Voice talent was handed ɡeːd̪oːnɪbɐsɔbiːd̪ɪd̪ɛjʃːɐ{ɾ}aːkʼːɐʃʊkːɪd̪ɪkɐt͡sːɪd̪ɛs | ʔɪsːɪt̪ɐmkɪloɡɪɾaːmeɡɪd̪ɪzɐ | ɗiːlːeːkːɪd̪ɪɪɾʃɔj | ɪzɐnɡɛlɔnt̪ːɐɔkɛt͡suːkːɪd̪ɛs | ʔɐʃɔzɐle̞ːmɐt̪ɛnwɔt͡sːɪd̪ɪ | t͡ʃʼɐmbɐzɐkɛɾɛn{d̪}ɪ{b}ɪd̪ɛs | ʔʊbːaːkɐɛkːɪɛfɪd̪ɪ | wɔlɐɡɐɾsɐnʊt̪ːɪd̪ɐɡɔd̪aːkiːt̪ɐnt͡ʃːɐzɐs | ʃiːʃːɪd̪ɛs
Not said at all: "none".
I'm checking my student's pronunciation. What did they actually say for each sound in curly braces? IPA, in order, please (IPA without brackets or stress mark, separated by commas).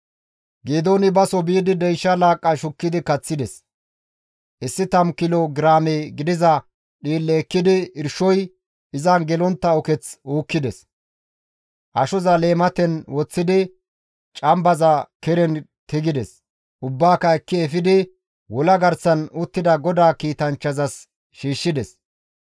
l, t̪, ɡ